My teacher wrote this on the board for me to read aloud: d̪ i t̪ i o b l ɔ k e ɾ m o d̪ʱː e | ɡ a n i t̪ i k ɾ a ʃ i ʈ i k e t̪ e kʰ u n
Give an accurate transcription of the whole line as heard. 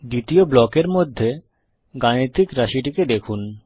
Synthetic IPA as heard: d̪ i t̪ i o b l ɔ k e ɾ m o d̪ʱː e | ɡ a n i t̪ i k ɾ a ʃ i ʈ i k e d̪ e kʰ u n